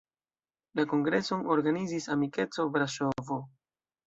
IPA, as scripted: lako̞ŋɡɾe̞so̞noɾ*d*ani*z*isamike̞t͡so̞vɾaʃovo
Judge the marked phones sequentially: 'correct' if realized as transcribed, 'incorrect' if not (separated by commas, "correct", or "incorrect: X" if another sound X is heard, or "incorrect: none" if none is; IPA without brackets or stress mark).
incorrect: ɡ, correct